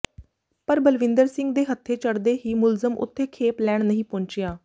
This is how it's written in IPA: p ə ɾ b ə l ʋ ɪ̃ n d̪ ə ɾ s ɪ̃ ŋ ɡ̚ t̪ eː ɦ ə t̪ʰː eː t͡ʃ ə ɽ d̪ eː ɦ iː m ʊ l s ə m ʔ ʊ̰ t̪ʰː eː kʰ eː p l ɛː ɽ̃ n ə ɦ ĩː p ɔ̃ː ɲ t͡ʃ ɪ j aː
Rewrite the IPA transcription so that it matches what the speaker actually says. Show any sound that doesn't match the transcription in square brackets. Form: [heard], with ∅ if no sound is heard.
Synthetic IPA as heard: p ə ɾ b ə l ʋ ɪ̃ n d̪ ə ɾ s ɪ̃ ŋ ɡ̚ [d̪] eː ɦ ə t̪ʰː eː t͡ʃ ə ɽ d̪ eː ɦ iː m ʊ l [z] ə m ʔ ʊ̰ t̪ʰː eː kʰ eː p l ɛː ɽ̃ n ə ɦ ĩː p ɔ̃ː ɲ t͡ʃ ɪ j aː